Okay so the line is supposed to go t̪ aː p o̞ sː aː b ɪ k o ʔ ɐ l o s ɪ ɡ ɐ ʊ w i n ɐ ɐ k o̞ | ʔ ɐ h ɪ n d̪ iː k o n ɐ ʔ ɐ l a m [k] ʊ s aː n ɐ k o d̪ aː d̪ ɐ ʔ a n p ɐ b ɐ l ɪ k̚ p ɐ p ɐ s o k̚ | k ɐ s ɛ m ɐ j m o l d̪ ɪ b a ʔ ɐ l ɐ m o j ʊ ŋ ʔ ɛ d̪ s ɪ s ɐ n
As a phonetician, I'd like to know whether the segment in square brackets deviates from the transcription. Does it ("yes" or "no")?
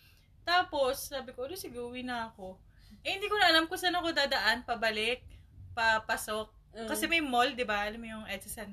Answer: no